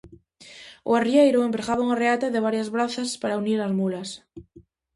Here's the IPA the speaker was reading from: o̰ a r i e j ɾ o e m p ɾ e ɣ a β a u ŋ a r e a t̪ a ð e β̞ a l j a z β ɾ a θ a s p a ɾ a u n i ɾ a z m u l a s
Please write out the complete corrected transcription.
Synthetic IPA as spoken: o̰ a r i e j ɾ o e m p ɾ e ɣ a β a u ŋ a r e a t̪ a ð e β̞ a ɾ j a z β ɾ a θ a s p a ɾ a u n i ɾ a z m u l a s

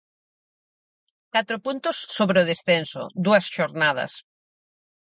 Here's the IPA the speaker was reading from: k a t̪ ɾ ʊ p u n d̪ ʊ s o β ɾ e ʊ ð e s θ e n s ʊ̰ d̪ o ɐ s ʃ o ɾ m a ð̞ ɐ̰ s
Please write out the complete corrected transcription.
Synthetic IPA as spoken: k a t̪ ɾ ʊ p u n t̪ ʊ sː o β ɾ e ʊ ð e s θ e n s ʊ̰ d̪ u ɐ s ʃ o ɾ n a ð̞ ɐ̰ s

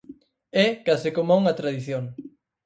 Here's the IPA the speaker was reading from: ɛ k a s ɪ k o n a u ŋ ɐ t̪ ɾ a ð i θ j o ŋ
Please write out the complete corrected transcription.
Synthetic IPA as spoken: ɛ k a s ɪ k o m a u ŋ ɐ t̪ ɾ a ð i θ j o ŋ

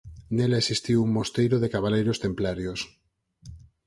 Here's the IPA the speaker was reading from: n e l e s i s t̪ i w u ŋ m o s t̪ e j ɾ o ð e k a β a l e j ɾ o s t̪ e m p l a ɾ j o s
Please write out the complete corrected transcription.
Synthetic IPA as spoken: n e l e s i s t̪ i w u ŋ m o s t̪ e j ɾ o ð e k a β a l e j ɾ o s t̪ e m p l a ɾ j o s

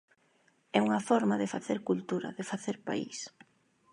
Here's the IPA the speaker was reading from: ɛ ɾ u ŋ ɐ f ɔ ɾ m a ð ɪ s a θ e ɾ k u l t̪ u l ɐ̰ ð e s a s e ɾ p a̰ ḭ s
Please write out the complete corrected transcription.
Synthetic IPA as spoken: ɛ u ŋ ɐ f ɔ ɾ m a ð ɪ f a θ e ɾ k u l t̪ u ɾ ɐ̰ ð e f a θ e ɾ p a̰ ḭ s

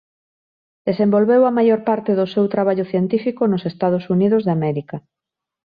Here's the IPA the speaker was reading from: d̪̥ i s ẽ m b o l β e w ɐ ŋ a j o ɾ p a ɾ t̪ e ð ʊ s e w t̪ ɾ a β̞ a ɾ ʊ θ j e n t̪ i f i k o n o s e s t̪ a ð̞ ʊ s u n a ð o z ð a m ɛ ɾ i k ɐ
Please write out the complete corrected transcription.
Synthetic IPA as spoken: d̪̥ e s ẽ m b o l β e w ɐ m a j o ɾ p a ɾ t̪ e ð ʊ s e w t̪ ɾ a β̞ a ʎ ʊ θ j e n t̪ i f i k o n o s e s t̪ a ð̞ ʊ s u n i ð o z ð a m ɛ ɾ i k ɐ

